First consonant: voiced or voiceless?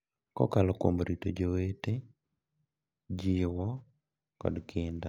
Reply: voiceless